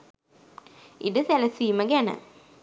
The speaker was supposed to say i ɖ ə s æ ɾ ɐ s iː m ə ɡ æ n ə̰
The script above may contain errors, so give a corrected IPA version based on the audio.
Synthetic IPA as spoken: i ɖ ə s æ l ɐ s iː m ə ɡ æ n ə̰